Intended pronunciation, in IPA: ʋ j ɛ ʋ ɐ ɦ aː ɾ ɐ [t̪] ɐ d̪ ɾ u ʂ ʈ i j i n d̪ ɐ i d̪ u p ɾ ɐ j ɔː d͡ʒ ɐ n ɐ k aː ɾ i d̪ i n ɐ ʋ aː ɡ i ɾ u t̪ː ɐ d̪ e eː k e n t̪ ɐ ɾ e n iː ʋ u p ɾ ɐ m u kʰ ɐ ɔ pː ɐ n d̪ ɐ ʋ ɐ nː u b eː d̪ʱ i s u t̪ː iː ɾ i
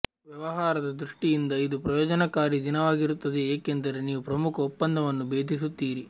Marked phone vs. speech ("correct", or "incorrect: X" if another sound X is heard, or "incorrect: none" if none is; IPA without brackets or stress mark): incorrect: d̪